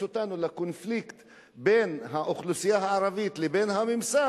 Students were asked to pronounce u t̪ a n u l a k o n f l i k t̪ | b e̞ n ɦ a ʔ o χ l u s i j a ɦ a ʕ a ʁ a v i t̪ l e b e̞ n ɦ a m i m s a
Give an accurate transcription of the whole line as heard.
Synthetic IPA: o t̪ a n u l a k o n f l i k t̪ | b e̞ n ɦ a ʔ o χ l u s i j a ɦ a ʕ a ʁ a v i t̪ l e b e̞ n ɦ a m i m s a